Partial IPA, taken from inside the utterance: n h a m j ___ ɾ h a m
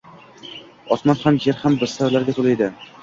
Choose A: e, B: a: A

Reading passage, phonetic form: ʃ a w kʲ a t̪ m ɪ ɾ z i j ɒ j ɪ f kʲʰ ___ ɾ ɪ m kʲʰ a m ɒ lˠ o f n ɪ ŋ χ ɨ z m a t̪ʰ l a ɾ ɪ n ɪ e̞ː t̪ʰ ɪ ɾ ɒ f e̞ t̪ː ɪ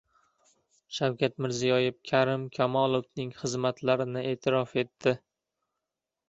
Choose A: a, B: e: A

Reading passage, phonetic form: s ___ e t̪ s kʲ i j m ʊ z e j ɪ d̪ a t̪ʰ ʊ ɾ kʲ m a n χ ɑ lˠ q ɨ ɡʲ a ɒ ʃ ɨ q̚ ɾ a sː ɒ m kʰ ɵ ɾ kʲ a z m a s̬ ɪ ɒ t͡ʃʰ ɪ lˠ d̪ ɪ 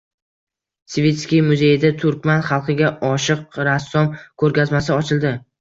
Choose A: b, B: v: B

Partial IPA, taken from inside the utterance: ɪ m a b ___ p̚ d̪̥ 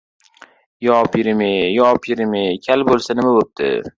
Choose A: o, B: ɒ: A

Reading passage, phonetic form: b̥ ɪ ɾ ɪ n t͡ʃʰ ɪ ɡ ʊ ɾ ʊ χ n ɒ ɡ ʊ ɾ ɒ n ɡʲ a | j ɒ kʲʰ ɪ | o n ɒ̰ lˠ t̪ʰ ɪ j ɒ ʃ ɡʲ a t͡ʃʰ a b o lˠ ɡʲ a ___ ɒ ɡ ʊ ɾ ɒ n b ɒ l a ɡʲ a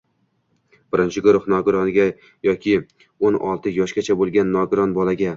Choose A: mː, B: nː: B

